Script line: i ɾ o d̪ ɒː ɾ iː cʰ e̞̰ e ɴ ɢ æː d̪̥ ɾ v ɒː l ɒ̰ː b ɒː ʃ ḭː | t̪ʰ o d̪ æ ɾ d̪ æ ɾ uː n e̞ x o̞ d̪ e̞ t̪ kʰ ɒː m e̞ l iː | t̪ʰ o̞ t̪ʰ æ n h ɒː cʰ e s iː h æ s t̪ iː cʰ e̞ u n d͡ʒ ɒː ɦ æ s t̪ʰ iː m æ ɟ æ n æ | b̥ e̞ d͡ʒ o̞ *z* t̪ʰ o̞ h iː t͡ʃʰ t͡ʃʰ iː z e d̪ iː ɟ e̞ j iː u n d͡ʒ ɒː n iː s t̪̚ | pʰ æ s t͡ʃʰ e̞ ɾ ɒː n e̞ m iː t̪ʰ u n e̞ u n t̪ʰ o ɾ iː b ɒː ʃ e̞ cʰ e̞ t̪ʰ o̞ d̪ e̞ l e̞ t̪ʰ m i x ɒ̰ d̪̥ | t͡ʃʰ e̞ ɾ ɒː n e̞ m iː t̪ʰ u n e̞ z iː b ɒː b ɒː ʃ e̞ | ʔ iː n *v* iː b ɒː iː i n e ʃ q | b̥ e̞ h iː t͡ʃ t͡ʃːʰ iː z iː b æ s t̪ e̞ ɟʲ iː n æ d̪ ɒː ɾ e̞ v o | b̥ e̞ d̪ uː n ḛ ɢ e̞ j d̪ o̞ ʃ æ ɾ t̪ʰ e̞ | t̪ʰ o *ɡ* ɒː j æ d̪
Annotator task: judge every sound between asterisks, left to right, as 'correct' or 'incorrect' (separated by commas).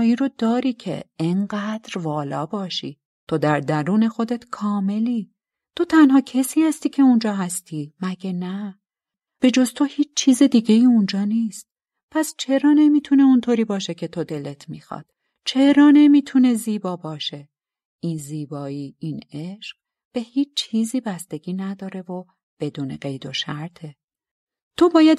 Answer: correct, incorrect, incorrect